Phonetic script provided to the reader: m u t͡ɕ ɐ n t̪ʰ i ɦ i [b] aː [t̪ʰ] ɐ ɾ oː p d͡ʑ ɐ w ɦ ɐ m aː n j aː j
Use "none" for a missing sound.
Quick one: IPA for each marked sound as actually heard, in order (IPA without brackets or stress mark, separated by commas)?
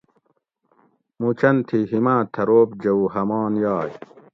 m, t̪ʰ